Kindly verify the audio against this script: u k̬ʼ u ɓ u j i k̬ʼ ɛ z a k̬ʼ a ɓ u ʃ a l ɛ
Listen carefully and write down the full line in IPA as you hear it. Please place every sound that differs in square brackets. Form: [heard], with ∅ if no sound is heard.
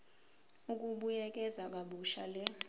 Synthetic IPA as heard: u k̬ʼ u ɓ u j [ɛ] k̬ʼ ɛ z a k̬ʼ a ɓ u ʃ a l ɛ